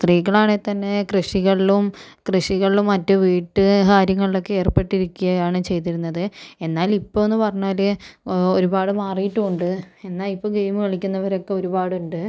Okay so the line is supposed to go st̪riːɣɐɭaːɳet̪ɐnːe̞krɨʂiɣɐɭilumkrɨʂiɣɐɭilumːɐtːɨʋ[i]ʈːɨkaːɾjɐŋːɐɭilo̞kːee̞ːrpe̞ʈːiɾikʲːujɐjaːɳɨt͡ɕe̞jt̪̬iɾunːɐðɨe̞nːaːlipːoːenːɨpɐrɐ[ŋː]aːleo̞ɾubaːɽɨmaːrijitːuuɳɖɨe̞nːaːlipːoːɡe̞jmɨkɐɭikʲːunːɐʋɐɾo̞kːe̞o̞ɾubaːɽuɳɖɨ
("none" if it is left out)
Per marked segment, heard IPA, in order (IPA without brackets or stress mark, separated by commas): iː, ɲː